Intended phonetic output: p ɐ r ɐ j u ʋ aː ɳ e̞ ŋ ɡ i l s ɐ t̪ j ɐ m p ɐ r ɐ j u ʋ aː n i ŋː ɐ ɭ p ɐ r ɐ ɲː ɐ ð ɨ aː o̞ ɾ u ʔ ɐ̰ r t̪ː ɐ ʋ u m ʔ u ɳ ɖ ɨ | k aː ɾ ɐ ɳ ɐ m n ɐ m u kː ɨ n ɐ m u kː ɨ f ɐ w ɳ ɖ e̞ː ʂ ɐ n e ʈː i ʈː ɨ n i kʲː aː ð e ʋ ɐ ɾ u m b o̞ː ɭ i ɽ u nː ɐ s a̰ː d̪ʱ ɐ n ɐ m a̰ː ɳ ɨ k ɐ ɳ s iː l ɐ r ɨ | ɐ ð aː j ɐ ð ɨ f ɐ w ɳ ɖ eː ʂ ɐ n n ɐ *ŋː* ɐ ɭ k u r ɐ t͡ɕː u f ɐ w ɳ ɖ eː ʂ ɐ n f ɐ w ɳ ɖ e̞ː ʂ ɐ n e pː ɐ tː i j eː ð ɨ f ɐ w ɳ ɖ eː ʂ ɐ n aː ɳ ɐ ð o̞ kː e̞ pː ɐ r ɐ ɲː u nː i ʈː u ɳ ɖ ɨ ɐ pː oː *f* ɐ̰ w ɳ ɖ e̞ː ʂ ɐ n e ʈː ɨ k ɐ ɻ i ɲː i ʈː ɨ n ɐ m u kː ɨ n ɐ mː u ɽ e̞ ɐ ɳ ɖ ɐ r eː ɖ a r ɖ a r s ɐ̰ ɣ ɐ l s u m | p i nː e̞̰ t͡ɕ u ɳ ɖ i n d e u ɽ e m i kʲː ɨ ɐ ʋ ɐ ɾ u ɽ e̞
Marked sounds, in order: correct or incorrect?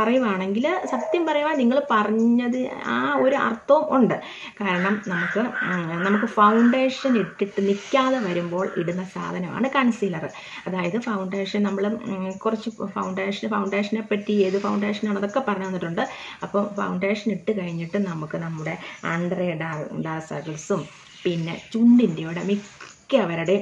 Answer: incorrect, correct

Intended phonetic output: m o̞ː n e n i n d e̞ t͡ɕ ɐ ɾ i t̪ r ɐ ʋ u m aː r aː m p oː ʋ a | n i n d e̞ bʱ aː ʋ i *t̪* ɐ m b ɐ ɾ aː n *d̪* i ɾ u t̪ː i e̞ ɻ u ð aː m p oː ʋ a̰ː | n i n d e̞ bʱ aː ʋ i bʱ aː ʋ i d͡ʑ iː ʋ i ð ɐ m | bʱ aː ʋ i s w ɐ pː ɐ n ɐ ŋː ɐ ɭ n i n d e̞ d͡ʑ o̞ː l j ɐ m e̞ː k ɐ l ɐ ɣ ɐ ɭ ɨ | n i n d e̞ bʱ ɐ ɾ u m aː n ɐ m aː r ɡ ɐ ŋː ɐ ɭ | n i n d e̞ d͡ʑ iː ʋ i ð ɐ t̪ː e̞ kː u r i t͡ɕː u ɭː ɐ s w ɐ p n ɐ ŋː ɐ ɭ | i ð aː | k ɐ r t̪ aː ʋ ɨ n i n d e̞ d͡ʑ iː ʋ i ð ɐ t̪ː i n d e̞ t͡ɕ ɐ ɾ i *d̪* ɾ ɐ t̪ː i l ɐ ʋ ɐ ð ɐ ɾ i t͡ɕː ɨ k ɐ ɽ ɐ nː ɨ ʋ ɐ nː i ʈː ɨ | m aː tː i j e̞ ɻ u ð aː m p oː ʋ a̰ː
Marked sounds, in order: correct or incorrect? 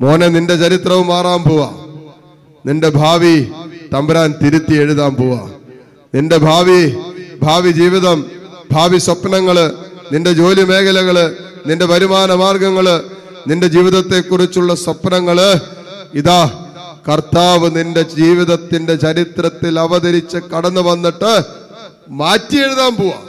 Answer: correct, incorrect, incorrect

